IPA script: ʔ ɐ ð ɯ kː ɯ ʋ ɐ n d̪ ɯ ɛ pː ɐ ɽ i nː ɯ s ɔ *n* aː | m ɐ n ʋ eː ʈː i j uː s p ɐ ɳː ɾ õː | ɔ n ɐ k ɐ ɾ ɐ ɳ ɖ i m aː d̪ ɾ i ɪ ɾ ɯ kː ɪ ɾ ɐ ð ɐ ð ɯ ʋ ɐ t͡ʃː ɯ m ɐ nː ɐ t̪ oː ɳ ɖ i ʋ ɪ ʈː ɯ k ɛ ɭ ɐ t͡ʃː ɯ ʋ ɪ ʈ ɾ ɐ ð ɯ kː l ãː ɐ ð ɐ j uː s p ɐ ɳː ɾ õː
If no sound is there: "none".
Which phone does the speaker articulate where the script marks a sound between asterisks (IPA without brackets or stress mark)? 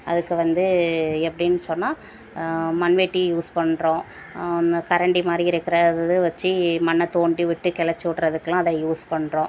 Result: nː